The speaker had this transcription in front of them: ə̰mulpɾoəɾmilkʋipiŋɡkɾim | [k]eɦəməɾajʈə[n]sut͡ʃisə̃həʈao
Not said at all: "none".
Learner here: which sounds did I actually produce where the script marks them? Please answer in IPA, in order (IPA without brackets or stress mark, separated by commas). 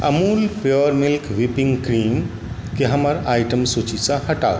k, m